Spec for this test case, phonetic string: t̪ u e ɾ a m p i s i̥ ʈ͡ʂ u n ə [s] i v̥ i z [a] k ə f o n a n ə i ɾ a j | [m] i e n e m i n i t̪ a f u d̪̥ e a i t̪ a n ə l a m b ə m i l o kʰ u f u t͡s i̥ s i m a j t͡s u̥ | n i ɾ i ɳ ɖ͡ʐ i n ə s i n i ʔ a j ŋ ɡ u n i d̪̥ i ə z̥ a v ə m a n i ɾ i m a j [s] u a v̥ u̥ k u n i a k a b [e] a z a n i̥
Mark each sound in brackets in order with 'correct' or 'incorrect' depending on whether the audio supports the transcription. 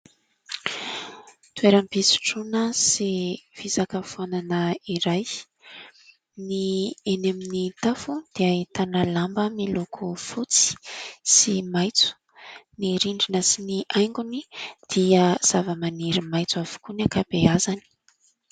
correct, correct, incorrect: n, incorrect: t͡s, correct

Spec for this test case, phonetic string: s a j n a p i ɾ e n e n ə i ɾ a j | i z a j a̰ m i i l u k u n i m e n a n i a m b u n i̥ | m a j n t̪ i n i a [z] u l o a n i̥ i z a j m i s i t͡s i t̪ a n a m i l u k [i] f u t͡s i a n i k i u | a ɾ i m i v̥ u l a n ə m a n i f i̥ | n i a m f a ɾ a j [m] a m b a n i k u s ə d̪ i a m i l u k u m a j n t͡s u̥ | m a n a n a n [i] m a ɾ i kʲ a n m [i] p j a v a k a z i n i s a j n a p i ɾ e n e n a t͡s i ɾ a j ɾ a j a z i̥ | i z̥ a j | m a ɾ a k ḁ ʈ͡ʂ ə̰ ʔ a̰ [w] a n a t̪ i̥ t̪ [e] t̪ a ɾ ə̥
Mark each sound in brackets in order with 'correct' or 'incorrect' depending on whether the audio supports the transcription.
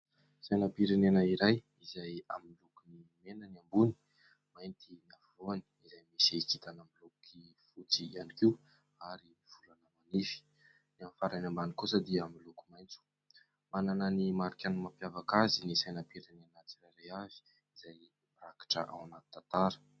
incorrect: v, correct, incorrect: n, correct, incorrect: a, correct, incorrect: a

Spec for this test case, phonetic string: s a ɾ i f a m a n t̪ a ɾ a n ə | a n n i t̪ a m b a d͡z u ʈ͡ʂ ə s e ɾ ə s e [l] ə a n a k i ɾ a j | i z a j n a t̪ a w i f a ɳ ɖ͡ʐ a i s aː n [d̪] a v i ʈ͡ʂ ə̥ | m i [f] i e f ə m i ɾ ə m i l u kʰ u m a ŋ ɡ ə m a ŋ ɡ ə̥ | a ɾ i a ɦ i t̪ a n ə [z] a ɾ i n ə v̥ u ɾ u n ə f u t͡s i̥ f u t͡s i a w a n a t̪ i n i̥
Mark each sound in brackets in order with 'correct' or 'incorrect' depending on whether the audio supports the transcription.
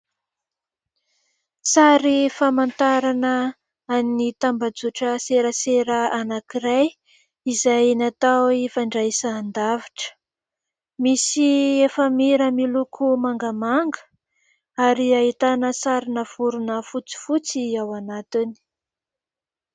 incorrect: ɾ, correct, incorrect: s, incorrect: s

